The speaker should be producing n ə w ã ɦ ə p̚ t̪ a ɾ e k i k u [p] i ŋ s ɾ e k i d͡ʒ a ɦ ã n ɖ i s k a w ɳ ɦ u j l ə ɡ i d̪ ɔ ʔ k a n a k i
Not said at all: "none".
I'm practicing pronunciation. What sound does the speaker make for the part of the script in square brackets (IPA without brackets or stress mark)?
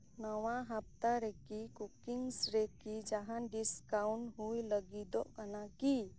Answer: k